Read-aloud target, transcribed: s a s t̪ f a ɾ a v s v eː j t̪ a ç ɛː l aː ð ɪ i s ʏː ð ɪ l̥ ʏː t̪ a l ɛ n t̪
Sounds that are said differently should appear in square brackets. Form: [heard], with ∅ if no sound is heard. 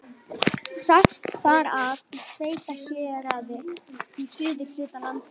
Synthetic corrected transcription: s a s t̪ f a ɾ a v s v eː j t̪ a ç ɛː [ɾ] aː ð ɪ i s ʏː ð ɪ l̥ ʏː t̪ a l [a] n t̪